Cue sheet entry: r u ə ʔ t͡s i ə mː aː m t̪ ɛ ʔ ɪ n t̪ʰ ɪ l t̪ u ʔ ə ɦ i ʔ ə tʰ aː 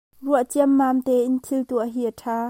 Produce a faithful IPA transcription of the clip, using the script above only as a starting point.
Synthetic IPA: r u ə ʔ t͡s i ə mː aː m t̪ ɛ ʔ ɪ n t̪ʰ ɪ l t̪ u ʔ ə ɦ i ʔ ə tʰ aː